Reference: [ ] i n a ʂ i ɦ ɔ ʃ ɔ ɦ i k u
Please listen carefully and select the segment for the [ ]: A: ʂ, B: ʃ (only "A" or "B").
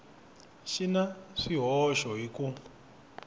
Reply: B